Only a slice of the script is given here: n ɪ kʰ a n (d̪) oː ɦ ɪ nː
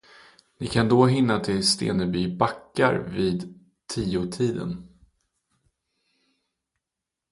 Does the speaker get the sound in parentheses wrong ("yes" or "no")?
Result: no